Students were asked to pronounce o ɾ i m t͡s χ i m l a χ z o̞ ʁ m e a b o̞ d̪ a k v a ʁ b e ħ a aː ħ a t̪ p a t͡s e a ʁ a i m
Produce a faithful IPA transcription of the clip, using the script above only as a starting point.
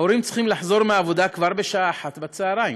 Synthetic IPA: o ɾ i m t͡s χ i m l a ħ z o̞ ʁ m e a v o̞ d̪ a k v a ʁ b e ʃ a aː ħ a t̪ b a t͡s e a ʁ a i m